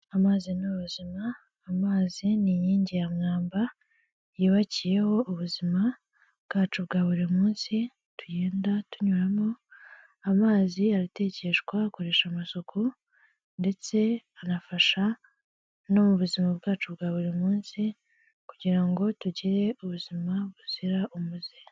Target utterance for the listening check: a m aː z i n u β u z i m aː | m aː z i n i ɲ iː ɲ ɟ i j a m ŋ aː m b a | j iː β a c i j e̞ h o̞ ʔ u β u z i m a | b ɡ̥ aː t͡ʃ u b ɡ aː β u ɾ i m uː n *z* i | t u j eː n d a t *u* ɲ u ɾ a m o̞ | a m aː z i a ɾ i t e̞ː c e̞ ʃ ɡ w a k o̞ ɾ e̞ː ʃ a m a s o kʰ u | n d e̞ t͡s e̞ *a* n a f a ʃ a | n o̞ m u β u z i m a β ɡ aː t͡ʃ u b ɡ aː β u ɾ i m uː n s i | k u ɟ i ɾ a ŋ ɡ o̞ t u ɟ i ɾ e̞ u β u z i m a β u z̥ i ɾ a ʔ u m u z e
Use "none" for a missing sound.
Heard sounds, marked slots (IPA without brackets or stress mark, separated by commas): s, u, a